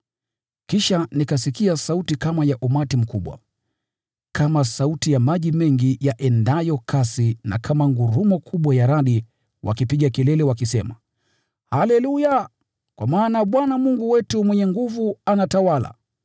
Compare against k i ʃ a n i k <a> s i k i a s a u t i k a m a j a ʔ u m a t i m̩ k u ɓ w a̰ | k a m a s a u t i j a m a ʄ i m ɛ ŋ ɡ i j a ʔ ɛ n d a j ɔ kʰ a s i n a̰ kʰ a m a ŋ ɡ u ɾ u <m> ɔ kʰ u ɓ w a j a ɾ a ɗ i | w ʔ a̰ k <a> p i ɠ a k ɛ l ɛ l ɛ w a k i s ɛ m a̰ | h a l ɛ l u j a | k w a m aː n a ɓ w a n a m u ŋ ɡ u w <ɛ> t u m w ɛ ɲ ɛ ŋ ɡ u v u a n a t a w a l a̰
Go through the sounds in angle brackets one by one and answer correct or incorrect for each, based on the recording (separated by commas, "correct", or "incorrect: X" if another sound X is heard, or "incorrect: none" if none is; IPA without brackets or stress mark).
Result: correct, correct, incorrect: i, correct